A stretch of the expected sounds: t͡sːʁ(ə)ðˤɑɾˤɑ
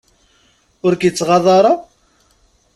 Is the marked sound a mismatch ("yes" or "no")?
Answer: yes